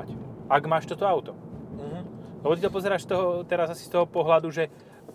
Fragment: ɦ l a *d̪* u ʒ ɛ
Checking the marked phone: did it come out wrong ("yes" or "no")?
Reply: no